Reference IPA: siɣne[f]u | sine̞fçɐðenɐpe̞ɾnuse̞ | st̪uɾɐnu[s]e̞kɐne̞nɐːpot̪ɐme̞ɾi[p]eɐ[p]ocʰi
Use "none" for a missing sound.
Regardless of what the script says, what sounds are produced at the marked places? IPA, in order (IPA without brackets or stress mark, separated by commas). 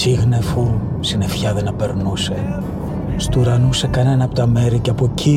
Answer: f, s, c, p